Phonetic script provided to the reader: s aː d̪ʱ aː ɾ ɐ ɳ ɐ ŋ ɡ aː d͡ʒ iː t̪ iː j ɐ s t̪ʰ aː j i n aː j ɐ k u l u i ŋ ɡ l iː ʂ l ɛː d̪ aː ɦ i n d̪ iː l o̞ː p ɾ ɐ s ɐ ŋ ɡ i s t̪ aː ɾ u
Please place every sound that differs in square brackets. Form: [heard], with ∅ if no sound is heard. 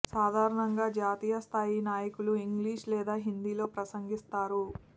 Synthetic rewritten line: s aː d̪ʱ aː ɾ ɐ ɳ ɐ ŋ ɡ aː d͡ʒ [aː] t̪ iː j ɐ s t̪ʰ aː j i n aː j ɐ k u l u i ŋ ɡ l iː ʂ l ɛː d̪ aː ɦ i n d̪ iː l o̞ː p ɾ ɐ s ɐ ŋ ɡ i s t̪ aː ɾ u

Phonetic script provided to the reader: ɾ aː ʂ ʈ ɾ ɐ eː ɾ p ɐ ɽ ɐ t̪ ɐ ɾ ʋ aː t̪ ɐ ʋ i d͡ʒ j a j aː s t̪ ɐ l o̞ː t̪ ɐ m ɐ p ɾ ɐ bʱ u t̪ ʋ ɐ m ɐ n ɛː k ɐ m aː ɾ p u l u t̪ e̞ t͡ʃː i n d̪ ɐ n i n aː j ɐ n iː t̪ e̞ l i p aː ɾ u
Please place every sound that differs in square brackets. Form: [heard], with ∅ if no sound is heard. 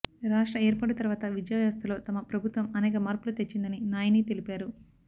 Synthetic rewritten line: ɾ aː ʂ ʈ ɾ ɐ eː ɾ p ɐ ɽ ɐ t̪ ɐ ɾ ʋ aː t̪ ɐ ʋ i d͡ʒ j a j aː s t̪ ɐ l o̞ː t̪ ɐ m ɐ p ɾ ɐ bʱ u t̪ ʋ ɐ m ɐ n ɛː k ɐ m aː ɾ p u l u t̪ e̞ t͡ʃː i n d̪ ɐ n i n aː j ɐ n iː t̪ e̞ l i p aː ɾ u

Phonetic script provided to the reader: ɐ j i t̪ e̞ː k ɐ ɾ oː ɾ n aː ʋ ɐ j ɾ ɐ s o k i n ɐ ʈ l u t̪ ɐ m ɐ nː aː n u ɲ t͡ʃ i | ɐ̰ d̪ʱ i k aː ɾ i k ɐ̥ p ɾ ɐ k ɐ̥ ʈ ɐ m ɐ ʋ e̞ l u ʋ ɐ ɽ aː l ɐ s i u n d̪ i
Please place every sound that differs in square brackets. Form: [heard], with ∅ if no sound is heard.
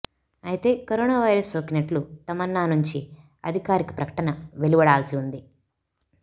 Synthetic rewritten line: ɐ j i t̪ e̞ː k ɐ ɾ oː [∅] n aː ʋ ɐ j ɾ ɐ s o k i n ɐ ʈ l u t̪ ɐ m ɐ nː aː n u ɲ t͡ʃ i | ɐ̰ d̪ʱ i k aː ɾ i k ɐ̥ p ɾ ɐ k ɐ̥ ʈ ɐ [n] ɐ ʋ e̞ l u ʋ ɐ ɽ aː l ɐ s i u n d̪ i

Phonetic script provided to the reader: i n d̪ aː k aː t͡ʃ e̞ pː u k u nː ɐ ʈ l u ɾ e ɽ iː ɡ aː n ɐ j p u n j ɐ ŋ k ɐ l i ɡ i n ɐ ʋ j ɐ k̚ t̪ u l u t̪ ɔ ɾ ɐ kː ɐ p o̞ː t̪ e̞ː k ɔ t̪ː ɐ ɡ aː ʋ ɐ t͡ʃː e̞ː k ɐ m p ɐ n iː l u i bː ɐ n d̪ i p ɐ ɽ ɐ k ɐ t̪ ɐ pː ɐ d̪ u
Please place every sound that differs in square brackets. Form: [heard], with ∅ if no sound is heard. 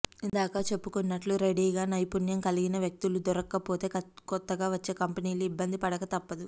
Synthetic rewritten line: i n d̪ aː k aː t͡ʃ e̞ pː u k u nː ɐ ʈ l u ɾ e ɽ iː ɡ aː n ɐ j p u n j ɐ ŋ k ɐ l i ɡ i n ɐ ʋ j ɐ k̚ t̪ u l u [d̪] ɔ ɾ ɐ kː ɐ p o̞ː t̪ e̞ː k ɔ t̪ː ɐ ɡ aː ʋ ɐ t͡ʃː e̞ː k ɐ m p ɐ n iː l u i bː ɐ n d̪ i p ɐ ɽ ɐ k ɐ t̪ ɐ pː ɐ d̪ u

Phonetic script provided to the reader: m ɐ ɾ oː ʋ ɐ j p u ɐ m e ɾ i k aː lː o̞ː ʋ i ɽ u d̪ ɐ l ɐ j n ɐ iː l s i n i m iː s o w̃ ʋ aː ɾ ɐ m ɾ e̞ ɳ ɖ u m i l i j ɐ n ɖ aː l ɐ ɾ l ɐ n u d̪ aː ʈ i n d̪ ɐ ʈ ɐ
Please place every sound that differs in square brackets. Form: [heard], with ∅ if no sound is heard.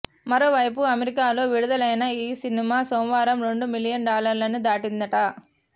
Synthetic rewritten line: m ɐ ɾ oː ʋ ɐ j p u ɐ m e ɾ i k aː [l] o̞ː ʋ i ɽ u d̪ ɐ l ɐ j n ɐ iː [∅] s i n i m [aː] s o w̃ ʋ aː ɾ ɐ m ɾ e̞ ɳ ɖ u m i l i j ɐ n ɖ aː l ɐ ɾ l ɐ n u d̪ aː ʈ i n d̪ ɐ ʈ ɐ

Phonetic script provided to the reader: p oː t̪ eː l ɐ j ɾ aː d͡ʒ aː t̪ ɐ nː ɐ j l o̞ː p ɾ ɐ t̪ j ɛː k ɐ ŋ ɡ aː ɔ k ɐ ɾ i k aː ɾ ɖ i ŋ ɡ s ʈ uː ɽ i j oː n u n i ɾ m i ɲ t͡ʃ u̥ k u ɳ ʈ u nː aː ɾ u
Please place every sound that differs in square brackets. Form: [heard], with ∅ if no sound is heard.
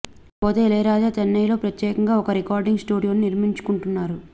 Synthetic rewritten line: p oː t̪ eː l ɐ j ɾ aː d͡ʒ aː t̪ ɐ nː ɐ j l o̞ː p ɾ ɐ t̪ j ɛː k ɐ ŋ ɡ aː ɔ k ɐ ɾ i k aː ɾ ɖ i ŋ ɡ s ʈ uː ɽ i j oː n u n i ɾ m i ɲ t͡ʃ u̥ k u ɳ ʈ u nː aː ɾ u

